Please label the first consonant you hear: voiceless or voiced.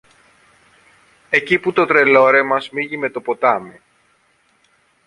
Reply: voiceless